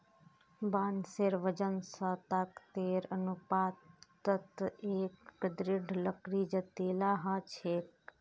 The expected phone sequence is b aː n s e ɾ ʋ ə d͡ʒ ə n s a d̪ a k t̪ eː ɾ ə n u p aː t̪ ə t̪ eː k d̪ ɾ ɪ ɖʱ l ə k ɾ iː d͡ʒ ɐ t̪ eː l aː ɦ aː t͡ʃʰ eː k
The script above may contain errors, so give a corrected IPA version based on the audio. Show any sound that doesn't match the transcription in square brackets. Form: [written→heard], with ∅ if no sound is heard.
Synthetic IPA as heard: b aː n s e ɾ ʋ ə d͡ʒ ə n s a [d̪→t̪] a k t̪ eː ɾ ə n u p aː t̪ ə t̪ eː k d̪ ɾ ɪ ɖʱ l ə k ɾ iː d͡ʒ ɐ t̪ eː l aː ɦ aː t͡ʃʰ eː k